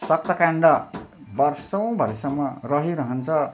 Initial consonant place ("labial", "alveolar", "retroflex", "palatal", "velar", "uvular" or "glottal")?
alveolar